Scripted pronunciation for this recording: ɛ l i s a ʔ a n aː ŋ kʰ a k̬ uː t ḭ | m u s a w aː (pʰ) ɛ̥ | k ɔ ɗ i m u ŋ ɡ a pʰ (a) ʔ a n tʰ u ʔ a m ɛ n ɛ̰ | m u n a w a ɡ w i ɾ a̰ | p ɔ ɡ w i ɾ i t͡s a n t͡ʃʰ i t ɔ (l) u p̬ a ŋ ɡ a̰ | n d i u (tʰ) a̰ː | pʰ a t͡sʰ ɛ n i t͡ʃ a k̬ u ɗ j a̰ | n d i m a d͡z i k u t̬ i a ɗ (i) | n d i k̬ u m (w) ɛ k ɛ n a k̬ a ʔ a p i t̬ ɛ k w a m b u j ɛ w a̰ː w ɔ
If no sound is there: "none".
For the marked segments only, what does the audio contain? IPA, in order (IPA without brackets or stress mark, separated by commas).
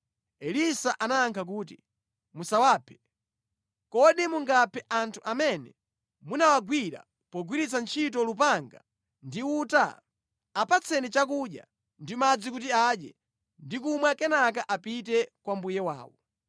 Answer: pʰ, ɛ, l, t, ɛ, w